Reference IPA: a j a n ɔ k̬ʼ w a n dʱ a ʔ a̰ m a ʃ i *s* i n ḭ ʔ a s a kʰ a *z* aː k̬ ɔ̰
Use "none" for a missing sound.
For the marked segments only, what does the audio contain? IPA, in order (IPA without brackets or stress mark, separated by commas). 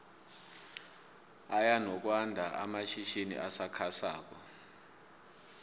ʃ, s